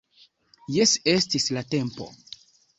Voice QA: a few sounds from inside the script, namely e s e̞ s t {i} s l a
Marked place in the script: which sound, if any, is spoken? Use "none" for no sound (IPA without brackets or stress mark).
i